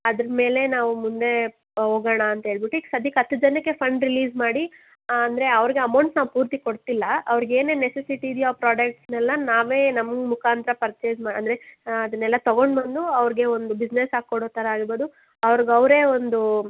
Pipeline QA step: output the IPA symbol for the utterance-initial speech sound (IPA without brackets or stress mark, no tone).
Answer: ɐ